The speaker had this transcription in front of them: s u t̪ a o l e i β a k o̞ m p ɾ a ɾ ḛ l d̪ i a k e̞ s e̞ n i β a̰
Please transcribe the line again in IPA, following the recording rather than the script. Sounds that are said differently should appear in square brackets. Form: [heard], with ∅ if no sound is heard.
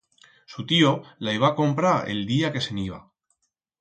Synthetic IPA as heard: s u t̪ [i] o l [a] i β a k o̞ m p ɾ a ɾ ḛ l d̪ i a k e̞ s e̞ n i β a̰